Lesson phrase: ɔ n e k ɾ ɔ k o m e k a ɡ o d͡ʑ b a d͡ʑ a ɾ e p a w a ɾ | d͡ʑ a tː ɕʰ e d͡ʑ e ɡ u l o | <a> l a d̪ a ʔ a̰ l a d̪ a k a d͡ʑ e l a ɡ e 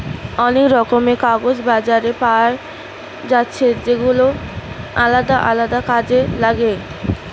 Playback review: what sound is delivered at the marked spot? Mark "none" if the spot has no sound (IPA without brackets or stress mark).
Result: a